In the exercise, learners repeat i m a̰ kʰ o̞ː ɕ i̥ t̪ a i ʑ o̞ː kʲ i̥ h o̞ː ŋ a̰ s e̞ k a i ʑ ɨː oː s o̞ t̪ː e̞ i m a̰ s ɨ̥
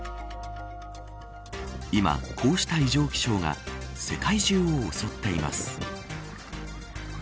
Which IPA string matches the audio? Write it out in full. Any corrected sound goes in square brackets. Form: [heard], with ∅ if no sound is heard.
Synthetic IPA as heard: i m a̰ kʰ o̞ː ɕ i̥ t̪ a i ʑ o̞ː kʲ i̥ [ɕ] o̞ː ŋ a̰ s e̞ k a i ʑ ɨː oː s o̞ t̪ː e̞ i m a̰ s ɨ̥